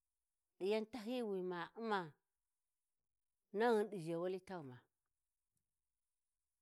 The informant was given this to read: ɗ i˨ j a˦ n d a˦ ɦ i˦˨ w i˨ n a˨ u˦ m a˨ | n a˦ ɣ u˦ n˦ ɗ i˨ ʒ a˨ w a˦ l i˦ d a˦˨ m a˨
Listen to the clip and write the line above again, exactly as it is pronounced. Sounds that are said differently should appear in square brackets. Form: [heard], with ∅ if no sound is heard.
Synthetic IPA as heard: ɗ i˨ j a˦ n [t] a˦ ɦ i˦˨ w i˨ [m] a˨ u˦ m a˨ | n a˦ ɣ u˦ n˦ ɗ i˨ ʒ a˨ w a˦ l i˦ [t] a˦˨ m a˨